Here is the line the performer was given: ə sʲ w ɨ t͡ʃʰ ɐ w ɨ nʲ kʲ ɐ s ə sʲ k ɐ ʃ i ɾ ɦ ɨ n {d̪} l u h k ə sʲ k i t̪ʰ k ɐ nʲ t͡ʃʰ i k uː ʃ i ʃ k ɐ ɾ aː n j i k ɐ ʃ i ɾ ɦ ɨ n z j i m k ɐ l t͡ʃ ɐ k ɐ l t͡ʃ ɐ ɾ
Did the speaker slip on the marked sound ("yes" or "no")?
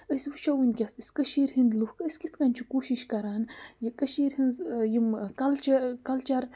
no